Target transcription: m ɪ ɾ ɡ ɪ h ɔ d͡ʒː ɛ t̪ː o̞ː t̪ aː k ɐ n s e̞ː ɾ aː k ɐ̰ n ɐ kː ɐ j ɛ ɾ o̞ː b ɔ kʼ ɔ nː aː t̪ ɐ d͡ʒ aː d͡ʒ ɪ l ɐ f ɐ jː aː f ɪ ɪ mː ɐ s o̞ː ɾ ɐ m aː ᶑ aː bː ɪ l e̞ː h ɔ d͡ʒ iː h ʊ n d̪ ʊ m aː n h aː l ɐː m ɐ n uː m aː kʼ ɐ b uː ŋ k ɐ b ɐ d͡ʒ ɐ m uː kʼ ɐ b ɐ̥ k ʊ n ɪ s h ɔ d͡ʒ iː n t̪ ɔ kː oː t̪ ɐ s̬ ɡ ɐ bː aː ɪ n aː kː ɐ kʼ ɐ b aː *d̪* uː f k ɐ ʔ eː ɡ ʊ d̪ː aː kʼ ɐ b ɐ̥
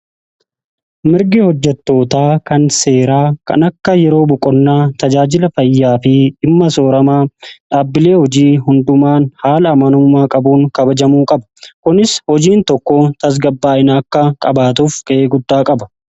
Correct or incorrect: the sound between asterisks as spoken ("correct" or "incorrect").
incorrect